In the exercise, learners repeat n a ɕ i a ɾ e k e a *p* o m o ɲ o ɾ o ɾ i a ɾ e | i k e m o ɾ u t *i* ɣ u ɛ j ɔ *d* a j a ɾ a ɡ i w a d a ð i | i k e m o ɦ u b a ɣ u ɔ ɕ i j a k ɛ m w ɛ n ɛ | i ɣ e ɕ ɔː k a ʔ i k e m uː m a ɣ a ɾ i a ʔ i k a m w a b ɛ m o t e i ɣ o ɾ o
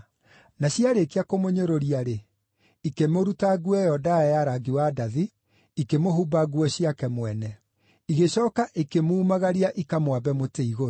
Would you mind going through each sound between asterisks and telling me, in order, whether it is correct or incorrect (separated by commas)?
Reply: incorrect, incorrect, correct